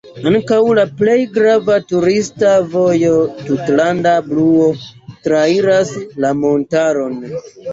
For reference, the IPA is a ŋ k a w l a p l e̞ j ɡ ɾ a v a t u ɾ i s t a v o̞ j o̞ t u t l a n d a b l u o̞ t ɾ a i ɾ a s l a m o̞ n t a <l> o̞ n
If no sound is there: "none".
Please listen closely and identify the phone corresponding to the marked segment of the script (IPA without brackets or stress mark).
ɾ